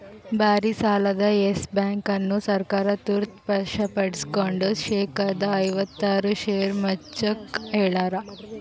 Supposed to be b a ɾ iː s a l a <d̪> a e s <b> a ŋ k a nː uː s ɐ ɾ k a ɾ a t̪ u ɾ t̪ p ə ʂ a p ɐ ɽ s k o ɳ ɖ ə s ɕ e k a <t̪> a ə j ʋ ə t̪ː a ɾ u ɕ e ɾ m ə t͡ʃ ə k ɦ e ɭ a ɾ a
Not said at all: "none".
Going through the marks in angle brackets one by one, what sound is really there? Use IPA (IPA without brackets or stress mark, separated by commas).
d̪, b, d̪